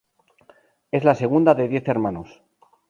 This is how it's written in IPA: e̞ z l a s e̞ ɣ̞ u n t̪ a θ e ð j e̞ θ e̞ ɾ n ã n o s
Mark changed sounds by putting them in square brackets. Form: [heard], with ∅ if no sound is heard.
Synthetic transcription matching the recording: e̞ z l a s e̞ ɣ̞ u n [d̪] a [ð] e ð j e̞ θ e̞ ɾ [m] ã n o s

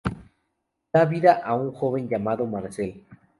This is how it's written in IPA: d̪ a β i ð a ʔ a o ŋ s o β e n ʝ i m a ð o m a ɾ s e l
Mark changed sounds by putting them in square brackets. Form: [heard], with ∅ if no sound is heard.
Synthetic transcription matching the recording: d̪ a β i ð a ʔ a [u] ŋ [x] o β e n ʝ [a] m a ð o m a ɾ s e l

